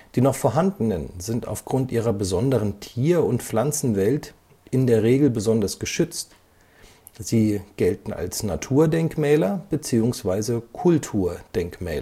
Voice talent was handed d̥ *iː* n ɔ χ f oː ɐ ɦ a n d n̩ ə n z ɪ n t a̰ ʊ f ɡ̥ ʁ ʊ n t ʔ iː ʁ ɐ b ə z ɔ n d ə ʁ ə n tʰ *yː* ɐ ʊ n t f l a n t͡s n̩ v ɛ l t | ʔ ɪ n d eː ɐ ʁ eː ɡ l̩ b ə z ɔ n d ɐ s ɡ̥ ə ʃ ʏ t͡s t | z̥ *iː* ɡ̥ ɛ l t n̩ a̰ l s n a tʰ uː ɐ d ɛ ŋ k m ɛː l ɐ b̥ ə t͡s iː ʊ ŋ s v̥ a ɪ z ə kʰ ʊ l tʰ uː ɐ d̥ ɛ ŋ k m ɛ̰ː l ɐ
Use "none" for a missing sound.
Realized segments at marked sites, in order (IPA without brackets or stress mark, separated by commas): iː, iː, iː